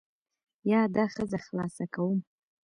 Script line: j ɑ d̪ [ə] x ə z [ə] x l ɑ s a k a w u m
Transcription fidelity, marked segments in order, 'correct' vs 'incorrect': incorrect, incorrect

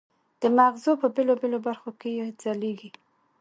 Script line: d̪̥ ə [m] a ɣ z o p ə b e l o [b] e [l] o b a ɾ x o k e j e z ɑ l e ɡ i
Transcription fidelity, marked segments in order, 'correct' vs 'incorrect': correct, correct, correct

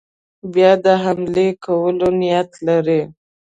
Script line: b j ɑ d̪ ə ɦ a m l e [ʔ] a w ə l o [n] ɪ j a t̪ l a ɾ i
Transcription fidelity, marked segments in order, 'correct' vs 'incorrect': incorrect, correct

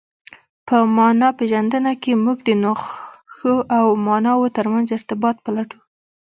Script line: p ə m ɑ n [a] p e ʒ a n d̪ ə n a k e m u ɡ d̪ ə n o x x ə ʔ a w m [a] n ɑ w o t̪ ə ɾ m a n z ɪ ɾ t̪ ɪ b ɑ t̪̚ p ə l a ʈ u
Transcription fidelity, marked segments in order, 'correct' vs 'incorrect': incorrect, incorrect

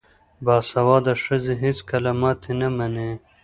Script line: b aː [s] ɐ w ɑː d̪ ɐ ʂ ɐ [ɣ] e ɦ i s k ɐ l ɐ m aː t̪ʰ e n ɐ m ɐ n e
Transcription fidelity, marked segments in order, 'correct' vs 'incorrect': correct, incorrect

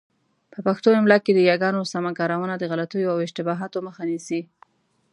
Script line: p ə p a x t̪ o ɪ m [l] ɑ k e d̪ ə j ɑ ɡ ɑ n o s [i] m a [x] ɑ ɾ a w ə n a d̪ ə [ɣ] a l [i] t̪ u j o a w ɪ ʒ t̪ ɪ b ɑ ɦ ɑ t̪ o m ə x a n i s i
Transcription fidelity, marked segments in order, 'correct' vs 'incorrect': correct, incorrect, incorrect, correct, incorrect

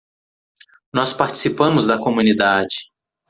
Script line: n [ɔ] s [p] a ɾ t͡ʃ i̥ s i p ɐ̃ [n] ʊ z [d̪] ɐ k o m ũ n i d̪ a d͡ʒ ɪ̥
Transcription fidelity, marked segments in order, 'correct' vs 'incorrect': correct, correct, incorrect, correct

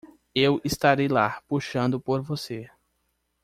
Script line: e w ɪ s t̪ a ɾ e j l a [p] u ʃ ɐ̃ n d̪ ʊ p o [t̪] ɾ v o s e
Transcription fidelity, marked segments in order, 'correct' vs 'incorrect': correct, incorrect

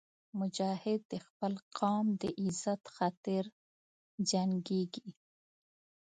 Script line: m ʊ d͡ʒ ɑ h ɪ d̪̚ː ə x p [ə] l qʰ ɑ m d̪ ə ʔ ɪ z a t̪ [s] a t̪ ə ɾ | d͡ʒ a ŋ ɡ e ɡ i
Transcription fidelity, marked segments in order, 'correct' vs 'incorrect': correct, incorrect

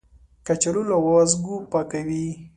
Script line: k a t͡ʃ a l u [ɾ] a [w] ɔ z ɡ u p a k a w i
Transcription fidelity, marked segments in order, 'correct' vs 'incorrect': incorrect, correct

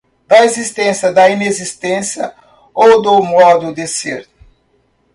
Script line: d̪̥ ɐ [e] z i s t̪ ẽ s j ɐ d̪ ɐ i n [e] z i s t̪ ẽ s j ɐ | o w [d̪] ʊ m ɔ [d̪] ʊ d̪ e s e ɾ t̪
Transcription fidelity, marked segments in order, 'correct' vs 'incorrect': correct, correct, correct, correct

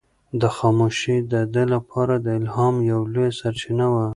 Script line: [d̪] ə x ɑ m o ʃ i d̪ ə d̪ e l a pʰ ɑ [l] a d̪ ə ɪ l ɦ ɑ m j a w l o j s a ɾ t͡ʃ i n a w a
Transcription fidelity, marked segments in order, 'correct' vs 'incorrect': correct, incorrect

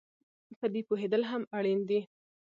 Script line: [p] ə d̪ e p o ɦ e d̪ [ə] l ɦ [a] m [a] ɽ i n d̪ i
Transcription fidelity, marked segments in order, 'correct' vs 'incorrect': correct, correct, correct, correct

